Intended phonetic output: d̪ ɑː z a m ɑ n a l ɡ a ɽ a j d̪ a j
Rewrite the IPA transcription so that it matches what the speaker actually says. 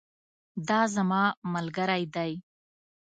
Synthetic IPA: d̪ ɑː z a m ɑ m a l ɡ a ɾ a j d̪ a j